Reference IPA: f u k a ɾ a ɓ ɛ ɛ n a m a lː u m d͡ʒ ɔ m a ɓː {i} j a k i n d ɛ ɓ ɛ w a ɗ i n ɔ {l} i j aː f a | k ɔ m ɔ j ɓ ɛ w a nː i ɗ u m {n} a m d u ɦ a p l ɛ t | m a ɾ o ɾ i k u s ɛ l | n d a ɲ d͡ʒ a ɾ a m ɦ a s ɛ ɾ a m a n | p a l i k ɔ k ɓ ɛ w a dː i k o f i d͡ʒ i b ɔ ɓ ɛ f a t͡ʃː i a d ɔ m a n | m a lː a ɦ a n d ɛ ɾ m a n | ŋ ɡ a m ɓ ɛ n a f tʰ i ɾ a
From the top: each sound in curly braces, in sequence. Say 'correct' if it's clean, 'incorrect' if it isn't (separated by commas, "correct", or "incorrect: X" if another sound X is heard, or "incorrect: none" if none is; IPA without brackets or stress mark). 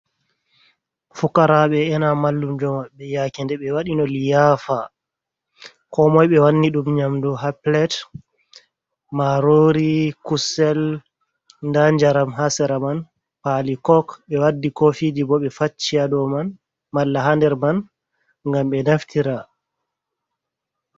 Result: incorrect: ɛ, correct, incorrect: ɲ